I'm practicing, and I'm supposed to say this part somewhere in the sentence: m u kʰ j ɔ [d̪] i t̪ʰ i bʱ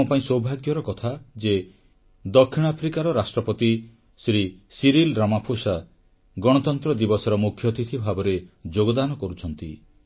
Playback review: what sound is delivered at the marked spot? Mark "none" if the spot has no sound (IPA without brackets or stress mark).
t̪